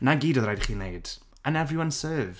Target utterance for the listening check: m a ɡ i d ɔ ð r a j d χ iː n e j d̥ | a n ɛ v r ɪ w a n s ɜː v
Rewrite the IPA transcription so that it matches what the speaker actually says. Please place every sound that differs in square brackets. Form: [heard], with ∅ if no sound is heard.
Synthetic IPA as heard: [n] a ɡ [iː] d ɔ ð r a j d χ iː n e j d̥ | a n ɛ v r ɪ w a n s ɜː v